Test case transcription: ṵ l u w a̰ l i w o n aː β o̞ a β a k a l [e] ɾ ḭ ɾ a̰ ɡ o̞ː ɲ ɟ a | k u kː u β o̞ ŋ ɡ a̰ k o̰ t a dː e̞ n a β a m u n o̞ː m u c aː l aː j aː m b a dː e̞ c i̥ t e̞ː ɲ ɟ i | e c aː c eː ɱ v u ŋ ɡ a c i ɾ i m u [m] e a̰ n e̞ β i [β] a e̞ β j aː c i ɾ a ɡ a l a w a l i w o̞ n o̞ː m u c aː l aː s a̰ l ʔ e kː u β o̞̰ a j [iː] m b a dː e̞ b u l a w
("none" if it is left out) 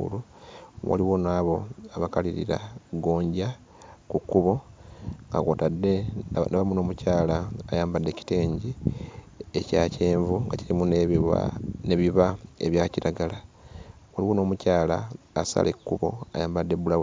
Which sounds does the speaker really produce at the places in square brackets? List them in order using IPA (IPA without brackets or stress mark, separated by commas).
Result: i, n, β, aː